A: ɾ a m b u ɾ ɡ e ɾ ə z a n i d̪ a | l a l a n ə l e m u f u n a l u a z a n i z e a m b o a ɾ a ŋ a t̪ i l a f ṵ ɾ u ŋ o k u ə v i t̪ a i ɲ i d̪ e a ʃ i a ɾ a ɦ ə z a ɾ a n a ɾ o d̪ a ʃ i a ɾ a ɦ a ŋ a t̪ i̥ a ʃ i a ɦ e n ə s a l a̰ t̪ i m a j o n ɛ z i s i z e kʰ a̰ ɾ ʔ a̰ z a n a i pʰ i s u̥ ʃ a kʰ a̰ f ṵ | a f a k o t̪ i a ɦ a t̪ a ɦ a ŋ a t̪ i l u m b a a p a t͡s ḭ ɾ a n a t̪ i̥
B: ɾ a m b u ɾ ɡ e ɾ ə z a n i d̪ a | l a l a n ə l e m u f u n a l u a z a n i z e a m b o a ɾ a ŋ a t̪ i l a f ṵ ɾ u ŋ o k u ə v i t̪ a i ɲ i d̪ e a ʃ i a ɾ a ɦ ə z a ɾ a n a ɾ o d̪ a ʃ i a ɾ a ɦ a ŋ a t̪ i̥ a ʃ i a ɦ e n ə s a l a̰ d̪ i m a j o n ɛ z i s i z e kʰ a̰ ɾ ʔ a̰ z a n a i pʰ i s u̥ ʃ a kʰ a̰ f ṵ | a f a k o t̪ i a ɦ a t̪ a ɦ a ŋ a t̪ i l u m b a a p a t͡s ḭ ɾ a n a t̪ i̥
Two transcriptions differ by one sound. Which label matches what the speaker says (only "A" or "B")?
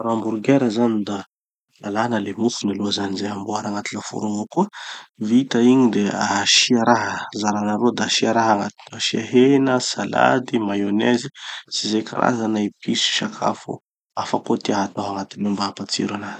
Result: B